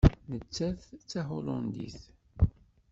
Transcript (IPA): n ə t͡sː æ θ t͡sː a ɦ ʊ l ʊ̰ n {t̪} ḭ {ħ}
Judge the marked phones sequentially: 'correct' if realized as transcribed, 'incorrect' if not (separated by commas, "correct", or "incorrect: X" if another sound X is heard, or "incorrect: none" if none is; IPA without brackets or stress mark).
incorrect: d̪, incorrect: θ